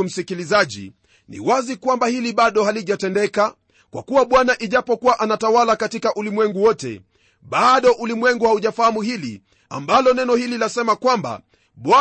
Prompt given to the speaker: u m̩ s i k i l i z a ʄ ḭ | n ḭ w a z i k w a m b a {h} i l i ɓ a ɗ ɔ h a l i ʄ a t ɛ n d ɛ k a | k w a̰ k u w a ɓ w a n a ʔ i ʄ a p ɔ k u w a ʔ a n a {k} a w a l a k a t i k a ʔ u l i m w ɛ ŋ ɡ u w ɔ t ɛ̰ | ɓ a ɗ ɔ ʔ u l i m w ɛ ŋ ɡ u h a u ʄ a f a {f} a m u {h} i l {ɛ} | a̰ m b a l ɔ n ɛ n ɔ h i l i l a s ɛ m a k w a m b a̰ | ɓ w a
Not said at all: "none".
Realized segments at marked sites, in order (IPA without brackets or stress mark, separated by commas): h, t, h, h, i